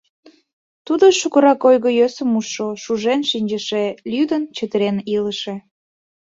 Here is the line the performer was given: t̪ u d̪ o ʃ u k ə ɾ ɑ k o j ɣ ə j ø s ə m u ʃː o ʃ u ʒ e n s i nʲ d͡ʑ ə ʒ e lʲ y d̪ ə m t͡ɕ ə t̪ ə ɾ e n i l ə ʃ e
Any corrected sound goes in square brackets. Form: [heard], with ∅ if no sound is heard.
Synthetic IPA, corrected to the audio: t̪ u d̪ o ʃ u k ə ɾ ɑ k o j ɣ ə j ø s ə m u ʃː o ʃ u ʒ e n [ʃ] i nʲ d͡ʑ ə [ʃ] e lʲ y d̪ ə [n] t͡ɕ ə t̪ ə ɾ e n i l ə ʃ e